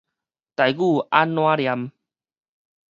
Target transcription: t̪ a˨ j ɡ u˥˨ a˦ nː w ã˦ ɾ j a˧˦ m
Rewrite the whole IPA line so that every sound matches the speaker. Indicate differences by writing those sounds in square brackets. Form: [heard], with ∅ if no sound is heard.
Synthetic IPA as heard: t̪ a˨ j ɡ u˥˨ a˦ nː w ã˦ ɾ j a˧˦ m